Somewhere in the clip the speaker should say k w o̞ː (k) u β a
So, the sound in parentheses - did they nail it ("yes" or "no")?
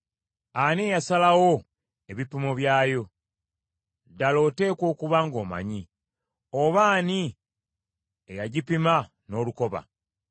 yes